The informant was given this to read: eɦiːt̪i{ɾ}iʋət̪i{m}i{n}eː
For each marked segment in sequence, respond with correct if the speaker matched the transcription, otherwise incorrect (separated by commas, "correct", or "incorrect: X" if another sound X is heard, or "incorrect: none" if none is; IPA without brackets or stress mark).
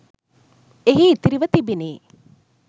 correct, incorrect: b, correct